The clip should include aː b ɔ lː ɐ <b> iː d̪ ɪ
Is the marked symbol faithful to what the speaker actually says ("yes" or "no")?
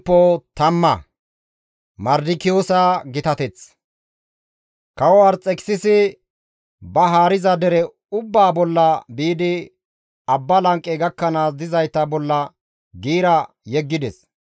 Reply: yes